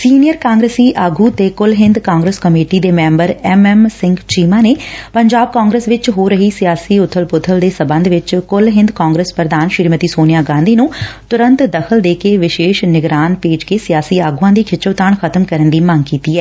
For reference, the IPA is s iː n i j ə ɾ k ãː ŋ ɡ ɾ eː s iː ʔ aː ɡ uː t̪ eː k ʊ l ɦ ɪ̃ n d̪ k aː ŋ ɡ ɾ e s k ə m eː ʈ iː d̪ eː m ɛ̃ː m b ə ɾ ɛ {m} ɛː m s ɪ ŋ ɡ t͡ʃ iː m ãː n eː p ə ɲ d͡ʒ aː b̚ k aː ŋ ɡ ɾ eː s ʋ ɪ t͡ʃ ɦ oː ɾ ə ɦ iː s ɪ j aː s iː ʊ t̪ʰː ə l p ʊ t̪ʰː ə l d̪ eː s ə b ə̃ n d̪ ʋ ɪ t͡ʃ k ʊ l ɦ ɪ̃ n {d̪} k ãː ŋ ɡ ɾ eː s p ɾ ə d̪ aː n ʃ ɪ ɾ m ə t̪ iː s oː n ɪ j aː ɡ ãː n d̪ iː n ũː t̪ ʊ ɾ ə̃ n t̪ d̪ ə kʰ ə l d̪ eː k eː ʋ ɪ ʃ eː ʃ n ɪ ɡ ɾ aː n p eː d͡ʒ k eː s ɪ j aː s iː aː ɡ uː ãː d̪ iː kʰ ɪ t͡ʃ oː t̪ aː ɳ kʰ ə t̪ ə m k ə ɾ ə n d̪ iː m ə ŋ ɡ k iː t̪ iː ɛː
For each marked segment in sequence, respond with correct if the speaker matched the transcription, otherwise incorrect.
correct, correct

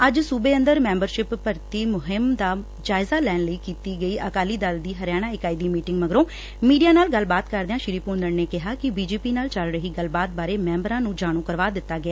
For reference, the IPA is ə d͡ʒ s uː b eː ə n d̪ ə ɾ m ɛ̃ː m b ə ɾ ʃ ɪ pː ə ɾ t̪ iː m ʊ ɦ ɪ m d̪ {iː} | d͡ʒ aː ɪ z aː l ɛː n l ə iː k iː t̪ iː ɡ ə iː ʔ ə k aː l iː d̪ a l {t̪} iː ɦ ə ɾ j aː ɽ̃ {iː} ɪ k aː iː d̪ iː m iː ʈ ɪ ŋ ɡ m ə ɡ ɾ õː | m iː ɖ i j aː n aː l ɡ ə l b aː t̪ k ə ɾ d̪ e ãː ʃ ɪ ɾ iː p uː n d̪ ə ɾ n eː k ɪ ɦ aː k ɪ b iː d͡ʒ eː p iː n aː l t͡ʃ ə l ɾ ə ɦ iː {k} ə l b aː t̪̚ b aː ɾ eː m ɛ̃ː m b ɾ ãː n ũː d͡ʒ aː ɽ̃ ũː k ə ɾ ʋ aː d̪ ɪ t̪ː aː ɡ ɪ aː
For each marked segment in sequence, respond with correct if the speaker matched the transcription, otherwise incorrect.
incorrect: aː, incorrect: d̪, incorrect: aː, incorrect: ɡ

